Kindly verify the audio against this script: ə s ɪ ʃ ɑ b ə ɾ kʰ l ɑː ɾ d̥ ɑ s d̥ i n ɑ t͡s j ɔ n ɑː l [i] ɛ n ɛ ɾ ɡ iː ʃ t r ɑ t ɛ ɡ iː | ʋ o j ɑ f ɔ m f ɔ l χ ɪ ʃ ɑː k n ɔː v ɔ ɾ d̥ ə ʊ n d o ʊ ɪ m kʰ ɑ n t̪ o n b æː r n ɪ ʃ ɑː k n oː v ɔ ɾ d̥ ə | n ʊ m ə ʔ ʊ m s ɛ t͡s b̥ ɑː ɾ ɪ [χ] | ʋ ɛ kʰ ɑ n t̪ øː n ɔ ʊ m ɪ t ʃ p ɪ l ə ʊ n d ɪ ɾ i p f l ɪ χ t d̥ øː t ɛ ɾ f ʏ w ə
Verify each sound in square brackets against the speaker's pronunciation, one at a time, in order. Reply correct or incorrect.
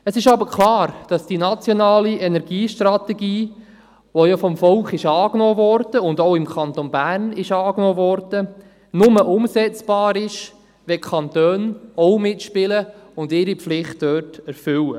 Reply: correct, incorrect

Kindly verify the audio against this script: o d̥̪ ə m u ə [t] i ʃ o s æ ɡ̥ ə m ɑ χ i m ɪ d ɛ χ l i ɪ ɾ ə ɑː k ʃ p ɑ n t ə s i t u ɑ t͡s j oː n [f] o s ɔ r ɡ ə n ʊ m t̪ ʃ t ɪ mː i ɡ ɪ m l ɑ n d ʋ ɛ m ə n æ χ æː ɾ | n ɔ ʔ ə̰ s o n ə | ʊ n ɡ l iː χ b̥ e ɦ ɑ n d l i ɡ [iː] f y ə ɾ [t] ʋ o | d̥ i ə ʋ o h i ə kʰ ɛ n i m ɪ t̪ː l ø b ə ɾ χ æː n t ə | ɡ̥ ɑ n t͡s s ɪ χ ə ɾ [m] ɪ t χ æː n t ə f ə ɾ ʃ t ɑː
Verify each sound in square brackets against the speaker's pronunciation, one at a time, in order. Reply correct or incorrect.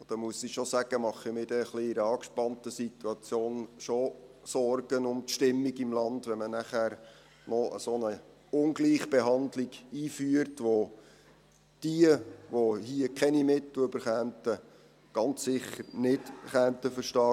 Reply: incorrect, incorrect, correct, correct, incorrect

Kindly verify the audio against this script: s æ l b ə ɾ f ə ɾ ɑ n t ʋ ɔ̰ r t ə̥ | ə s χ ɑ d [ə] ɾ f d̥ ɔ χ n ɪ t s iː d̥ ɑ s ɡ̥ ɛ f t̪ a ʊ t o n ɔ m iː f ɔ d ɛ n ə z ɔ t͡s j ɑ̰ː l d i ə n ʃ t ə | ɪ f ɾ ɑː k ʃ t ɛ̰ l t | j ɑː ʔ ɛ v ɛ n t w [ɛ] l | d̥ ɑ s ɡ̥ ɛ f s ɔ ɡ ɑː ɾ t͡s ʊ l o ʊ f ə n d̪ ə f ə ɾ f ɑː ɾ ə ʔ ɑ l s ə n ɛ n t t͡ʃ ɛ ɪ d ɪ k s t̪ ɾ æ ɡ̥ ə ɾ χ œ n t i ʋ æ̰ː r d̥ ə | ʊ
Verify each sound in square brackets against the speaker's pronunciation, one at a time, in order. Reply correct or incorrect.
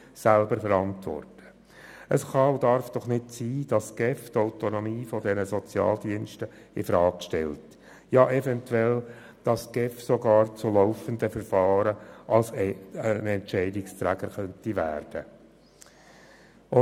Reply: incorrect, correct

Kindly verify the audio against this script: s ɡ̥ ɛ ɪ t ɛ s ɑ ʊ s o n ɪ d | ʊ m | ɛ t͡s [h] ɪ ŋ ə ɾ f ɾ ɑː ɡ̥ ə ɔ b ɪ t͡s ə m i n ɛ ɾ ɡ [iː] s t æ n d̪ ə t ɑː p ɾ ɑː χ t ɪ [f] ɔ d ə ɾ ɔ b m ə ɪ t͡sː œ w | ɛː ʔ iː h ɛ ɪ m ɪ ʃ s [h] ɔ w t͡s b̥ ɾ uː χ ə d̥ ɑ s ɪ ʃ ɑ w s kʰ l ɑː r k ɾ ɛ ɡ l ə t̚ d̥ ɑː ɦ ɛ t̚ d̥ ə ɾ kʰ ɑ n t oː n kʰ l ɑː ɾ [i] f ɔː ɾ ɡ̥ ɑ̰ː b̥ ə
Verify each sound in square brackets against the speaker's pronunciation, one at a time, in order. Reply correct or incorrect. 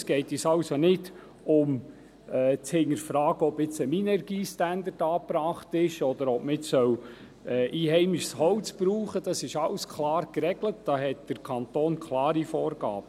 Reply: correct, correct, incorrect, correct, correct

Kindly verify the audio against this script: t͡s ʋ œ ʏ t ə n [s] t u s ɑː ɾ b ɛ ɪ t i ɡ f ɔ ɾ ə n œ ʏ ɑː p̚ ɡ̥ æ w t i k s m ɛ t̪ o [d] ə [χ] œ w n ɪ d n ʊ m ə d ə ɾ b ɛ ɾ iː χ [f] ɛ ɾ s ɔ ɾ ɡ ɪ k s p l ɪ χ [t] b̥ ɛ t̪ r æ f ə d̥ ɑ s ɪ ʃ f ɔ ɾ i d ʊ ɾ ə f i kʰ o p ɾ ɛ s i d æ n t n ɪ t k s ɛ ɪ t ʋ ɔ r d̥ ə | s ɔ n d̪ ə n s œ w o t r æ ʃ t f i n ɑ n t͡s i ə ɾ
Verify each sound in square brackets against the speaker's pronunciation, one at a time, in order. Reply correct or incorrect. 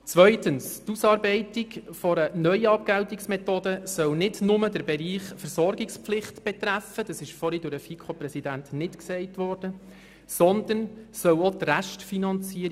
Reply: correct, correct, incorrect, correct, correct

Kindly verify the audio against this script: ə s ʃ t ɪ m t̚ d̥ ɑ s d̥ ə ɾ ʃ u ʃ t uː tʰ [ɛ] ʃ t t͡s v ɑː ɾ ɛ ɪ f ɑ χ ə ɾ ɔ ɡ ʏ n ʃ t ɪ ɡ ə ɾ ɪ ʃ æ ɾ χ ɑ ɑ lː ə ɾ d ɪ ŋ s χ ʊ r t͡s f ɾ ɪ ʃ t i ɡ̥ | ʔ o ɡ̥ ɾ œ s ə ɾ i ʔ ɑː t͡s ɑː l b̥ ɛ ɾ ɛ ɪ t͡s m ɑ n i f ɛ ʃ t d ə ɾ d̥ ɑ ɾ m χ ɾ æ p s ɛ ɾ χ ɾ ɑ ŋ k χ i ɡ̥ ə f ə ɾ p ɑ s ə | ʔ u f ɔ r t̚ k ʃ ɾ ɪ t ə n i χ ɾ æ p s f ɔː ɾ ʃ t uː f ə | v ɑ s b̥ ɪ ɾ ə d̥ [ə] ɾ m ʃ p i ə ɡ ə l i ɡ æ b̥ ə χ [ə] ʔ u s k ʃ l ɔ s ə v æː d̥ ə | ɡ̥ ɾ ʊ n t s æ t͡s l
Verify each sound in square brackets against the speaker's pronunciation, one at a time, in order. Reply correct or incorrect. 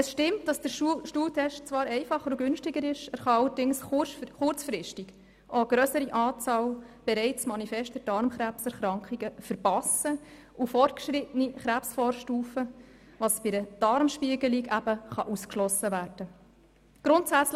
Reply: correct, incorrect, incorrect

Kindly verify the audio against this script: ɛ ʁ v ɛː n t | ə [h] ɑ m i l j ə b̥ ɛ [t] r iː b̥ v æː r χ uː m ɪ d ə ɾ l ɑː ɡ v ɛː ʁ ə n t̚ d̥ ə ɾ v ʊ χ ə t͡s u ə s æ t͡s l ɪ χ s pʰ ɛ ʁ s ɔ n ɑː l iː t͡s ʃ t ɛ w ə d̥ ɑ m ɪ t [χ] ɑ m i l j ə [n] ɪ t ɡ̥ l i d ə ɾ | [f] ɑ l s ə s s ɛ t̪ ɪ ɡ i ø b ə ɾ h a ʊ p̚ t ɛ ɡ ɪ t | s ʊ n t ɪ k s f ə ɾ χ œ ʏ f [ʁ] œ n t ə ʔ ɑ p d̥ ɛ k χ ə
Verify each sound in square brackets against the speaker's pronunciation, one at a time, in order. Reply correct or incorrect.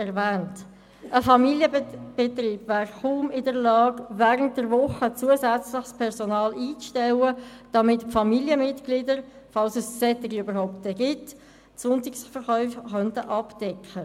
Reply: incorrect, correct, incorrect, incorrect, correct, incorrect

